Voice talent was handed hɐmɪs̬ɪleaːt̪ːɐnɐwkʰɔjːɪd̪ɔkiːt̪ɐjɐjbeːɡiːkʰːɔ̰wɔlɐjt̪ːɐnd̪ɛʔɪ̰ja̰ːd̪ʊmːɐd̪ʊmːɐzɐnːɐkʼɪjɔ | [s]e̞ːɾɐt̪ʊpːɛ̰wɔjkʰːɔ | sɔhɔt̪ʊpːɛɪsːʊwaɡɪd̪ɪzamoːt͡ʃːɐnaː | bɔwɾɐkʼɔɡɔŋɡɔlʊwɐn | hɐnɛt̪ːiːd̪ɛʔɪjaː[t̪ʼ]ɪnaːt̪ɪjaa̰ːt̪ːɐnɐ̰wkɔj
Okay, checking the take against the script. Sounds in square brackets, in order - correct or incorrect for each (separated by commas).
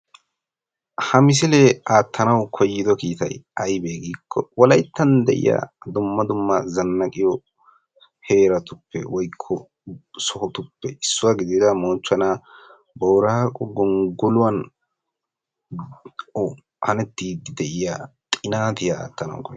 incorrect, correct